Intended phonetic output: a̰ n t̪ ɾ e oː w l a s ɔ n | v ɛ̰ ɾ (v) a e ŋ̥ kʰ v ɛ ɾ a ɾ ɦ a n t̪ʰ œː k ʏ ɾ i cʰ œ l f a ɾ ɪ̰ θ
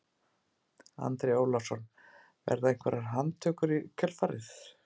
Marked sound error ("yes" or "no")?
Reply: yes